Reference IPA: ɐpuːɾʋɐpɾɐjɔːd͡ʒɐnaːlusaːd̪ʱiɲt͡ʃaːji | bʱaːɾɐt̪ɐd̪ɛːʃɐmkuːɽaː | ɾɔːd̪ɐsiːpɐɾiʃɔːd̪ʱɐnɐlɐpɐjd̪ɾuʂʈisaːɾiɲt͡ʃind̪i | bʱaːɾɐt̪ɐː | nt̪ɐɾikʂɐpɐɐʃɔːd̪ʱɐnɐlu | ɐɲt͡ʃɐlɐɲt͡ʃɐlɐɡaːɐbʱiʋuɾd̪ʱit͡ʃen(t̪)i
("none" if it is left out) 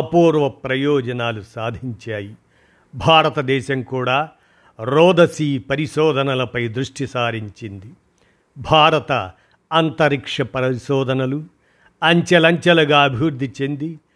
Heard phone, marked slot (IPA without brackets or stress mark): d̪